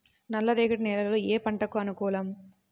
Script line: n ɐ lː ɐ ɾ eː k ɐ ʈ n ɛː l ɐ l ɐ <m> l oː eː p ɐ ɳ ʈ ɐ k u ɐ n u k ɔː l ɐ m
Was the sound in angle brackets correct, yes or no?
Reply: no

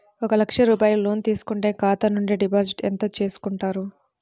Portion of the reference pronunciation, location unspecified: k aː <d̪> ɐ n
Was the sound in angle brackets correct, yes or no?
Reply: no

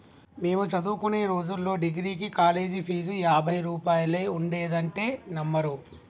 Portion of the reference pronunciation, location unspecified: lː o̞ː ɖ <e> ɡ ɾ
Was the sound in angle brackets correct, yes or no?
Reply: no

